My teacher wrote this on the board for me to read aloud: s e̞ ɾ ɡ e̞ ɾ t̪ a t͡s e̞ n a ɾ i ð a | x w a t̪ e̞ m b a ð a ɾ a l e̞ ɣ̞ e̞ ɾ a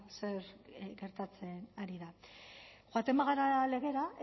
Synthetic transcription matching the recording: s e̞ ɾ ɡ e̞ ɾ t̪ a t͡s e̞ n a ɾ i ð a | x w a t̪ e̞ m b a ɣ a ɾ a l e̞ ɣ̞ e̞ ɾ a